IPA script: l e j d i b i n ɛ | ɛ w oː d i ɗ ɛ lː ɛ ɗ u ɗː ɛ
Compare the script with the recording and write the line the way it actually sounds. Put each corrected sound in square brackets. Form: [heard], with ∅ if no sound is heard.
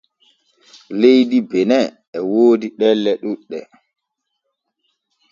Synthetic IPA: l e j d i b [ɛ] n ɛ | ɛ w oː d i ɗ ɛ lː ɛ ɗ u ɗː ɛ